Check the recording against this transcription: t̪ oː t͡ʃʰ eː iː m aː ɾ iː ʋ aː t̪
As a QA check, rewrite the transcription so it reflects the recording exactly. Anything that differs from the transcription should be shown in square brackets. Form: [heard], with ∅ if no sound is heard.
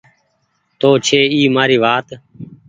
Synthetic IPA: t̪ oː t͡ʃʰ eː iː m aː ɾ iː ʋ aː t̪